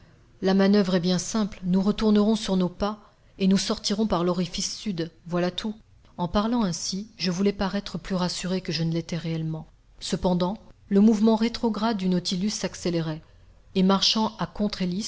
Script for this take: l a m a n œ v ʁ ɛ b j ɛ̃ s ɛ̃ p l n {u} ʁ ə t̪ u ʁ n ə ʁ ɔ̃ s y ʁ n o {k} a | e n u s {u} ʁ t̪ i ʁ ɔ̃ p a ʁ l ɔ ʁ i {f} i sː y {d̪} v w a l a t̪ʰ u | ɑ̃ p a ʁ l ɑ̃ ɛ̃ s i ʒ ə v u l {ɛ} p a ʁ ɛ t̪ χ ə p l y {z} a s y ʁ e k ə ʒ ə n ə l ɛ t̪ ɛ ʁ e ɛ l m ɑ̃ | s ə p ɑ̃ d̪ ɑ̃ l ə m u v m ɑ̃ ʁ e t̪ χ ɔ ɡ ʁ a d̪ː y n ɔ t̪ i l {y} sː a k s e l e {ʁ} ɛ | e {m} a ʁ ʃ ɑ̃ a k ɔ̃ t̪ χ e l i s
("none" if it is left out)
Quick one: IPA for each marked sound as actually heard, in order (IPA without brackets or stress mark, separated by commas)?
u, p, ɔ, f, d̪, ɛ, ʁ, y, ʁ, m